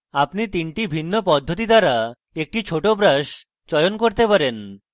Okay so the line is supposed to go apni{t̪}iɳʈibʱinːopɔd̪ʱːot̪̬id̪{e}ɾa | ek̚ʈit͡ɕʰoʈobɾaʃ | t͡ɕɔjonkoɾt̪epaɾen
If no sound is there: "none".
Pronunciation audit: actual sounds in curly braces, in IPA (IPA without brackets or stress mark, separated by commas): t̪, a